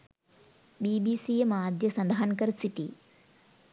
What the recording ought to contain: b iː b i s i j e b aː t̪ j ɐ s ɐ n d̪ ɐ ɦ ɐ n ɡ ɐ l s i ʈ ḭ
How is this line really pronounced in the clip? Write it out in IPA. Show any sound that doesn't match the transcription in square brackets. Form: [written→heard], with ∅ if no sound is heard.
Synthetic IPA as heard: b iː b i s i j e [b→m] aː [t̪→d̪] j ɐ s ɐ n d̪ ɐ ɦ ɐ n [ɡ→k] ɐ [l→ɾ] s i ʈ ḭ